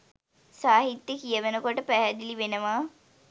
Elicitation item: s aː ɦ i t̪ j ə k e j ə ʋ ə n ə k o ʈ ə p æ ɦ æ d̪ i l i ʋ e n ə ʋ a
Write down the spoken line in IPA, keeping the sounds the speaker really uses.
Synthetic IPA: s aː ɦ i t̪ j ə k i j ə ʋ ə n ə k o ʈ ə p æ ɦ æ d̪ i l i ʋ e n ə ʋ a